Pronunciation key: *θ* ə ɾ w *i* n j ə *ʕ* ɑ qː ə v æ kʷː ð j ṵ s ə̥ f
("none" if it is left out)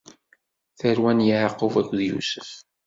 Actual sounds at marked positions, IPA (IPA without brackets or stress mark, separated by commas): θ, æ, ʕ